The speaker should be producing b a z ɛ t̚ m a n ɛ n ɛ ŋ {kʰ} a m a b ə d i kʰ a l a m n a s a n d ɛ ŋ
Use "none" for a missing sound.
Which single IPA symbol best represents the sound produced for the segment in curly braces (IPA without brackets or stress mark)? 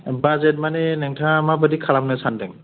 tʰ